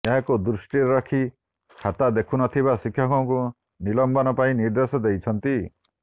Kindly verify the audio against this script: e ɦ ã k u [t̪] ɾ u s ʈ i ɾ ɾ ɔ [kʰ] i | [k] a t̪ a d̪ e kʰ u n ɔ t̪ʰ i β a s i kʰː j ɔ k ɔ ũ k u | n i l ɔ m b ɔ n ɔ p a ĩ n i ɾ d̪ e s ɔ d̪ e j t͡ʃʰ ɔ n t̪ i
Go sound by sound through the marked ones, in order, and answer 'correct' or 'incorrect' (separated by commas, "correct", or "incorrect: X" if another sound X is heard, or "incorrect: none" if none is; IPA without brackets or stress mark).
incorrect: d̪, correct, incorrect: kʰ